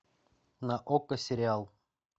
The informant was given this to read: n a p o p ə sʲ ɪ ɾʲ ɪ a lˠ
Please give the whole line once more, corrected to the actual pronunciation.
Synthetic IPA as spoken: n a ʔ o k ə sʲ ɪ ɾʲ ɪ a lˠ